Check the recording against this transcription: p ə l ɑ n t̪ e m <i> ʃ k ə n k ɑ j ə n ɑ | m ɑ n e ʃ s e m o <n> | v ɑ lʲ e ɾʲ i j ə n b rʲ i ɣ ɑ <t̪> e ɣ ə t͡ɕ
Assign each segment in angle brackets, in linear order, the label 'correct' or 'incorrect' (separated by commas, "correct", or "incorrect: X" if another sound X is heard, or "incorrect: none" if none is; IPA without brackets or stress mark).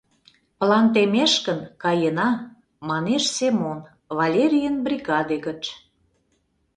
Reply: incorrect: e, correct, incorrect: d̪